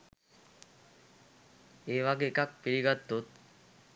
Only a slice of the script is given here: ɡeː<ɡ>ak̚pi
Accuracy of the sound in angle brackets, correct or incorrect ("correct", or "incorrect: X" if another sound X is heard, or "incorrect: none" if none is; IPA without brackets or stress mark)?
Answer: incorrect: k